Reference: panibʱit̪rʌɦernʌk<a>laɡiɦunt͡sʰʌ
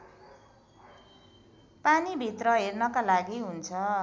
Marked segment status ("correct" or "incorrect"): correct